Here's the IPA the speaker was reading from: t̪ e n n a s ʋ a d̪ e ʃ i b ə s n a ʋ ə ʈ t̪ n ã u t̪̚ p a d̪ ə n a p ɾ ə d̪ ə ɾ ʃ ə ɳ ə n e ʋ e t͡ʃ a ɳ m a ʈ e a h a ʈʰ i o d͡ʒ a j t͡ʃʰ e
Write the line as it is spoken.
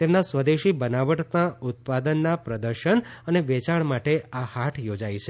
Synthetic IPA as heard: t̪ e m n a s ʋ ə d̪ e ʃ i b ə n a ʋ ə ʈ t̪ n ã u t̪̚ p a d̪ ə nː a p ɾ ə d̪ ə ɾ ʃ ə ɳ ə n e ʋ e t͡ʃ a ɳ m a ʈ e a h a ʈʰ j o d͡ʒ a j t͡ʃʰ e